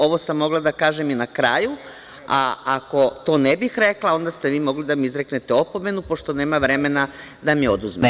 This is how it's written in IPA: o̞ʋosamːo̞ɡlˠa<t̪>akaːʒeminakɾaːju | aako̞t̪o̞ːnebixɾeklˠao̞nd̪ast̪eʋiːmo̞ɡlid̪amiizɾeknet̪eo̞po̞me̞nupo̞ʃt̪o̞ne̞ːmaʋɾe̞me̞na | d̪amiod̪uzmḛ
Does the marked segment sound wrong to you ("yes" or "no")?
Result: yes